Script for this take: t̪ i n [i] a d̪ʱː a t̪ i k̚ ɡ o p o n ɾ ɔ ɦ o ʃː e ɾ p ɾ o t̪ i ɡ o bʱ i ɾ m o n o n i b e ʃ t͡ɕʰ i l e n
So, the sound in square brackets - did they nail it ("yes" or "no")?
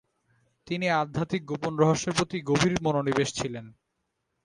yes